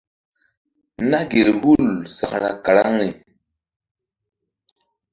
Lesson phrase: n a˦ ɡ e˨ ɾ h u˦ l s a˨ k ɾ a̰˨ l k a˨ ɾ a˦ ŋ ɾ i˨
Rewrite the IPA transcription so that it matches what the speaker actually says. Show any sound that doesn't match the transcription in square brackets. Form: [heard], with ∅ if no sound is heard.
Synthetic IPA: n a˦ ɡ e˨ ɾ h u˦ l s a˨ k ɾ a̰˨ [∅] k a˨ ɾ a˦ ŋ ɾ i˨